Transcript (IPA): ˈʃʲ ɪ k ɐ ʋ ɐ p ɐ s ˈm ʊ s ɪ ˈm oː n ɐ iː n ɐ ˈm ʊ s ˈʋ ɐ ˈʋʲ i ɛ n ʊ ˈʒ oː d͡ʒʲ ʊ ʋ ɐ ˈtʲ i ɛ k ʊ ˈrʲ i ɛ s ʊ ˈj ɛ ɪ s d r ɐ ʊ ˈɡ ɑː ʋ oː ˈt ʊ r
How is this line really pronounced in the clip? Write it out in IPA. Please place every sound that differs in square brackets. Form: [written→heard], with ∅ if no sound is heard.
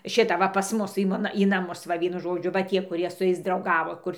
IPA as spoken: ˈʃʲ ɪ [k→t] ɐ ʋ ɐ p ɐ s ˈm ʊ s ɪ ˈm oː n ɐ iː n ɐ ˈm ʊ s ˈʋ ɐ ˈʋʲ i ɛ n ʊ ˈʒ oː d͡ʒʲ ʊ ʋ ɐ ˈtʲ i ɛ k ʊ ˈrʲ i ɛ s ʊ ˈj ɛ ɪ s d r ɐ ʊ ˈɡ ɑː ʋ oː [ˈt→ˈk] ʊ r